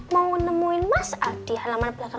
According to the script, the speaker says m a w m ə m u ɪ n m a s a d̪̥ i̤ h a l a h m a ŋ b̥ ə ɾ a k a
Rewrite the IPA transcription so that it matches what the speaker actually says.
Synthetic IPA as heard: m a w n ə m u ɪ n m a s a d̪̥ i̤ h a l a m a n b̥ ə l a k a